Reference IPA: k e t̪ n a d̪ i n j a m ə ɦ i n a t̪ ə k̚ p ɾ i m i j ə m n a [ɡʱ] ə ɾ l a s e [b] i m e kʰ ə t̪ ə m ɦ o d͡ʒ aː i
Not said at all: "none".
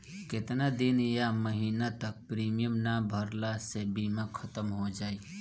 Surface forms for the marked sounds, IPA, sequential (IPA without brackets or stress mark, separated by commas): bʱ, b